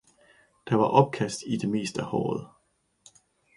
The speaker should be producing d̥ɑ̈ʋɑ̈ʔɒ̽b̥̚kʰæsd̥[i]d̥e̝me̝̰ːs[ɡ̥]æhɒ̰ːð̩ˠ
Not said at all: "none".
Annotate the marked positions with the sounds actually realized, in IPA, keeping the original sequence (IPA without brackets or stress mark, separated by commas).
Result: i, d̥